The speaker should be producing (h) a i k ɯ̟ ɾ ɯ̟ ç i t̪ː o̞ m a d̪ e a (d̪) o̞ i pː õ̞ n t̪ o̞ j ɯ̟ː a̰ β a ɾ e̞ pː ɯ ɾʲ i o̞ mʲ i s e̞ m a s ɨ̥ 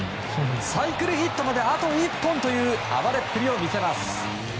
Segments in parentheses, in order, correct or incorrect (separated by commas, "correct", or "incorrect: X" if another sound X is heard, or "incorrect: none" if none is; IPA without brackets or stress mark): incorrect: s, incorrect: t̪